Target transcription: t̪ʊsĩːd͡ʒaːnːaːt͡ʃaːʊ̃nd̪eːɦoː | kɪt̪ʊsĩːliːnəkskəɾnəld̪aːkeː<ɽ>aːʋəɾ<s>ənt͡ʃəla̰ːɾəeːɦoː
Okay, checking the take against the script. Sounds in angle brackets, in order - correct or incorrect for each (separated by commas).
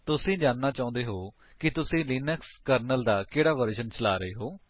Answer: correct, incorrect